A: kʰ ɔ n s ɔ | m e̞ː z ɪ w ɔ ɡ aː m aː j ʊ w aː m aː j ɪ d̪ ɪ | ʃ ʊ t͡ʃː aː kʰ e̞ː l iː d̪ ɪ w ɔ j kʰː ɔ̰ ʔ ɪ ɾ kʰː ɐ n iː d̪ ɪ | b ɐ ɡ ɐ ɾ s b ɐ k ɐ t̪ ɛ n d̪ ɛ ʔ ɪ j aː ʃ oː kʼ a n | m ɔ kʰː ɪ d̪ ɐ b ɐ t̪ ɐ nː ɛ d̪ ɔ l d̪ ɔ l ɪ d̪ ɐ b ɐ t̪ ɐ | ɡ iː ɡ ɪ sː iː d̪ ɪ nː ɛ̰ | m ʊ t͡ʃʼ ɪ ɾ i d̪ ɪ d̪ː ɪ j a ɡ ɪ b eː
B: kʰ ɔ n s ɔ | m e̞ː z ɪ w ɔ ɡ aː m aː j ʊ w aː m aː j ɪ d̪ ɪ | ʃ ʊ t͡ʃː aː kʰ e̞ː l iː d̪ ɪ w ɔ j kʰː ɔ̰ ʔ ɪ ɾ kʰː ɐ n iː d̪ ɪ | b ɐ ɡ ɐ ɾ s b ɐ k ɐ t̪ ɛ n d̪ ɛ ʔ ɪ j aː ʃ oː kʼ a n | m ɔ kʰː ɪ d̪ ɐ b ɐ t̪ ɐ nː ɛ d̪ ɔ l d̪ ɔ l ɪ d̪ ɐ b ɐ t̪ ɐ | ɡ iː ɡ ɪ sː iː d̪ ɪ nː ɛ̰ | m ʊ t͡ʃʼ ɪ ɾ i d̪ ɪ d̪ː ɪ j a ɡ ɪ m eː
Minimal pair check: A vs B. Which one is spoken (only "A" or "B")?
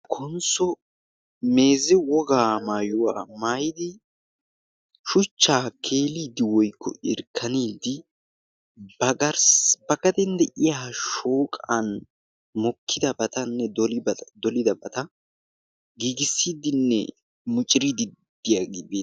A